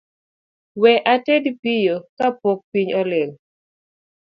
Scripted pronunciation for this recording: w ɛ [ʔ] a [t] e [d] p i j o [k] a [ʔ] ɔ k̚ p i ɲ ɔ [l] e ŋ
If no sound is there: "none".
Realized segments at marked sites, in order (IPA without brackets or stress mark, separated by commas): ʔ, t, d, k, p, l